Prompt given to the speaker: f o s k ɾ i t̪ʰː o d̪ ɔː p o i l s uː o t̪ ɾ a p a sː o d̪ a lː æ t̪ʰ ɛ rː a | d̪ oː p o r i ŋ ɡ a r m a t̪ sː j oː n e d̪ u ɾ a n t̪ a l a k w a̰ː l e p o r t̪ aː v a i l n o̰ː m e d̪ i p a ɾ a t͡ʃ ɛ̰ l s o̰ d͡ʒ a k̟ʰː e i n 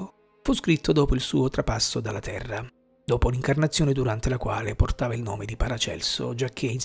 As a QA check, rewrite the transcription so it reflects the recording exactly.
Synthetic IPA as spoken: f u s k ɾ i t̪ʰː o d̪ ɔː p o i l s uː o t̪ ɾ a p a sː o d̪ a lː a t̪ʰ ɛ rː a | d̪ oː p o l i ŋ k a r n a t̪ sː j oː n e d̪ u ɾ a n t̪ e l a k w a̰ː l e p o r t̪ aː v a i l n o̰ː m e d̪ i p a ɾ a t͡ʃ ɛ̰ l s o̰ d͡ʒ a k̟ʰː e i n

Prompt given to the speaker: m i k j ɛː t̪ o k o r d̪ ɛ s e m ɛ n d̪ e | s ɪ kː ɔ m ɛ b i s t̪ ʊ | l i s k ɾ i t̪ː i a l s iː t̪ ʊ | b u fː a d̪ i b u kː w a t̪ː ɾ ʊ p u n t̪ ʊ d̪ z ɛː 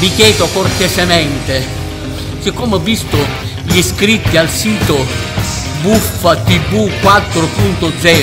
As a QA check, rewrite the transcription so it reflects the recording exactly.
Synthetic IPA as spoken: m i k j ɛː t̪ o k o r t̪ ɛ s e m ɛ n t̪ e | s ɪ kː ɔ m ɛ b i s t̪ ʊ | ʎ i s k ɾ i t̪ː i a l s iː t̪ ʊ | b u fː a t̪ i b u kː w a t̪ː ɾ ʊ p u n t̪ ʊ d̪ z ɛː

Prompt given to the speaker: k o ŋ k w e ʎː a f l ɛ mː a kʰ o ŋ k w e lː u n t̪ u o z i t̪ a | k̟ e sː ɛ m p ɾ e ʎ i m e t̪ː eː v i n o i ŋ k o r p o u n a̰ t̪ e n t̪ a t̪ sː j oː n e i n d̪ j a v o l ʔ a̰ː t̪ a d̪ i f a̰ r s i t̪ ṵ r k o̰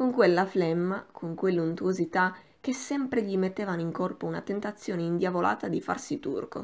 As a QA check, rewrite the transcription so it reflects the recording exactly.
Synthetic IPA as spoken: k o ŋ k w e lː a f l ɛ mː a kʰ o ŋ k w e lː u n t̪ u o z i t̪ a | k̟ e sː ɛ m p ɾ e ʎ i m e t̪ː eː v a n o i ŋ k o r p o u n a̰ t̪ e n t̪ a t̪ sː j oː n e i n d̪ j a v o l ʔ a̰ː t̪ a d̪ i f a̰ r s i t̪ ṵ r k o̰

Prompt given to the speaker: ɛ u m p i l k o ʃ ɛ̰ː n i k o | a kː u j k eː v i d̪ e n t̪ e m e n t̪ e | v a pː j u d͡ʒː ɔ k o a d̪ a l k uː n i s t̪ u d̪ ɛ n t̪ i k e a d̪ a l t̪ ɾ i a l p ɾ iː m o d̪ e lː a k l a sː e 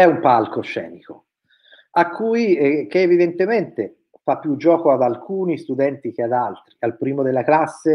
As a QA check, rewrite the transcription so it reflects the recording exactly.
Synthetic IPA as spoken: ɛ u m p a l k o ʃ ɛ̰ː n i k o | a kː u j k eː v i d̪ e n t̪ e m e n t̪ e | f a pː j u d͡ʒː ɔː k o a d̪ a l k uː n i s t̪ u d̪ ɛ n t̪ i k e a d̪ a l t̪ ɾ i a l p ɾ iː m o d̪ e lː a k l a sː e

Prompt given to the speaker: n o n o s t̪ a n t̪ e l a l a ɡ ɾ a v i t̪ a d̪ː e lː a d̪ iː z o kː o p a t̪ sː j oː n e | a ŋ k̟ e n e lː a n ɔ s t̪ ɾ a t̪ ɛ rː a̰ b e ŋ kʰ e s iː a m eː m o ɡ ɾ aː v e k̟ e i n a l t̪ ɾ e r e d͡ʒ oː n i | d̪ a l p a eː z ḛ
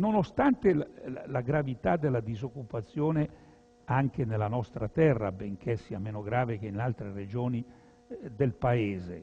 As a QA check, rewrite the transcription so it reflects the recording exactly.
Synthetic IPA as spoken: n o n o s t̪ a n t̪ e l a l a ɡ ɾ a v i t̪ a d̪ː e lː a d̪ i z o kː u p a t̪ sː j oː n e | a ŋ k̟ e n e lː a n ɔ s t̪ ɾ a t̪ ɛ rː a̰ b e ŋ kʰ e s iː a m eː n o ɡ ɾ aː v e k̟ e i n a l t̪ ɾ e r e d͡ʒ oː n i | d̪ e l p a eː z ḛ

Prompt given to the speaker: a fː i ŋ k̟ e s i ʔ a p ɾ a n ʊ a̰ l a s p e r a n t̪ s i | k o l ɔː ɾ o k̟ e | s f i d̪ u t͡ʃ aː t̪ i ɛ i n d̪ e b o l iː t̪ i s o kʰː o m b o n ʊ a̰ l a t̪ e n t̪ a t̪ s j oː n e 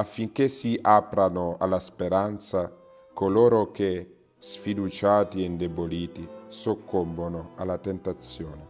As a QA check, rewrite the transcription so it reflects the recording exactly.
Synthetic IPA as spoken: a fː i ŋ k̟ e s i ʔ a p ɾ a n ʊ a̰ l a s p e ɾ a n t̪ s a | k o l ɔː ɾ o k̟ e | s f i d̪ u t͡ʃ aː t̪ i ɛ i n d̪ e b o l iː t̪ i s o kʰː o m b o n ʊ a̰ l a t̪ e n t̪ a t̪ s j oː n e

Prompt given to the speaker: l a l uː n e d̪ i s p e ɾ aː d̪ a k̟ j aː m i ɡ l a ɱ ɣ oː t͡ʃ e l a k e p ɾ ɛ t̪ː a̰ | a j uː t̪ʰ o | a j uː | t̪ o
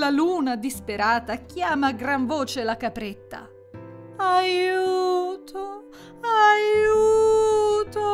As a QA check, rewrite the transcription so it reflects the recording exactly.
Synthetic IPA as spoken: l a l uː n a d̪ i s p e ɾ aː t̪ a k̟ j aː m a ɡ ɾ a ɱ v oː t͡ʃ e l a k a p ɾ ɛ t̪ː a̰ | a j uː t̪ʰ o | a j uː | t̪ o

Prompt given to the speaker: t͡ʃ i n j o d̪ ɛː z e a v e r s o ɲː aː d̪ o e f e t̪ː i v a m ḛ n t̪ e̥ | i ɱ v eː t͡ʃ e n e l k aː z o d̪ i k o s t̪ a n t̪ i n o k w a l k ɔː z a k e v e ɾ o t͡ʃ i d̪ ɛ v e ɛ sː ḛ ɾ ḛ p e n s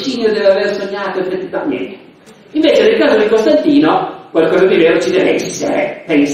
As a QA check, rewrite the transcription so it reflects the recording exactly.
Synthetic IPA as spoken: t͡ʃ i n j o d̪ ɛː v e a v e r s o ɲː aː t̪ o e f e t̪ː i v a m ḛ n t̪ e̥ | i ɱ v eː t͡ʃ e n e l k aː z o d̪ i k o s t̪ a n t̪ iː n o k w a l k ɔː z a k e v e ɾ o t͡ʃ i d̪ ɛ v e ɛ sː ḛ ɾ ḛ p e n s

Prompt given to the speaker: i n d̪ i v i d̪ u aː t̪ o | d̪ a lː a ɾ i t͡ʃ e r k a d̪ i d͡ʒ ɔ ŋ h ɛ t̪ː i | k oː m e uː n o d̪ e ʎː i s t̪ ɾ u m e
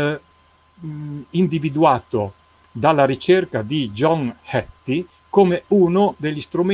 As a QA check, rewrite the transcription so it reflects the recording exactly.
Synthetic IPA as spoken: i n d̪ i v i d̪ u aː t̪ o | d̪ a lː a ɾ i t͡ʃ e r k a d̪ i d͡ʒ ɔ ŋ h ɛ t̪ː i | k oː m e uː n o d̪ e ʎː i s t̪ ɾ u m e

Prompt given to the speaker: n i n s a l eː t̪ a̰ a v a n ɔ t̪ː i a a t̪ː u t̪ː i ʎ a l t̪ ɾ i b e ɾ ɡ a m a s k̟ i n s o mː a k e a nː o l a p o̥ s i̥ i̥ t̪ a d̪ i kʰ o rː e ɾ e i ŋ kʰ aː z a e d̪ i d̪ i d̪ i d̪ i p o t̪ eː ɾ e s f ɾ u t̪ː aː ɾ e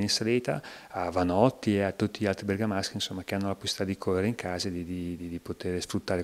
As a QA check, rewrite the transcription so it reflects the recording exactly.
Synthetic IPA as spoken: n i n s a l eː t̪ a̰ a v a n ɔ t̪ː i e a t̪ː u t̪ː i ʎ a l t̪ ɾ i b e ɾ ɡ a m a s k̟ i n s o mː a k e a nː o l a p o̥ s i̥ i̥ t̪ a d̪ i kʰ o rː e ɾ e i ŋ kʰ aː z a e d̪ i d̪ i d̪ i d̪ i p o t̪ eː ɾ e s f ɾ u t̪ː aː ɾ e

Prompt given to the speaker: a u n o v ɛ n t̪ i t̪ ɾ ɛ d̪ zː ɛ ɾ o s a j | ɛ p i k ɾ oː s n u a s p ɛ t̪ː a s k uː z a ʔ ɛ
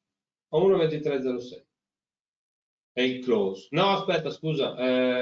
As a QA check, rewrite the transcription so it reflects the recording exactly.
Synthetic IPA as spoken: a u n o v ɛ n t̪ i t̪ ɾ ɛ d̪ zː ɛ ɾ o s ɛ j | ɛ i k l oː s n ɔ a s p ɛ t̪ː a s k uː z a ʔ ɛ

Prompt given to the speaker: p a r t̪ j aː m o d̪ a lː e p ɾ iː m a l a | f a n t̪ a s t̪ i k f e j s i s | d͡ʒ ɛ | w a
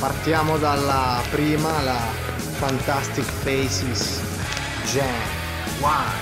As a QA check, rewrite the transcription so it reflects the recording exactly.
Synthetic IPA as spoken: p a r t̪ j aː m o d̪ a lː a p ɾ iː m a l a | f a n t̪ a s t̪ i k f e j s i s | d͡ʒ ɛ | w a

